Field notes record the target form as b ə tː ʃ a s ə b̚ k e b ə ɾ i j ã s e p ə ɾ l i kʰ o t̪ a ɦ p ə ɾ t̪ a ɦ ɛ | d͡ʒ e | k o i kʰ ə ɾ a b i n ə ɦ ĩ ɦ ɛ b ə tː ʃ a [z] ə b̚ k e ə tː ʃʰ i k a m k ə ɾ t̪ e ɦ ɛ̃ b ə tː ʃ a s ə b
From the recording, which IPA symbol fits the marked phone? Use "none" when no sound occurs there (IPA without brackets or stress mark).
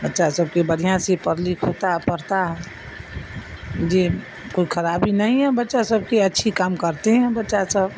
s